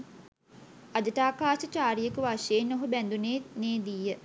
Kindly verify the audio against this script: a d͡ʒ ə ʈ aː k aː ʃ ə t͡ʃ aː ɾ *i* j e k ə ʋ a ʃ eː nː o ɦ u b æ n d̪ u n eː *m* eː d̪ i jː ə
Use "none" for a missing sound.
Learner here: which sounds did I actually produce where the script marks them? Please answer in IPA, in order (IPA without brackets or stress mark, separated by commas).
i, n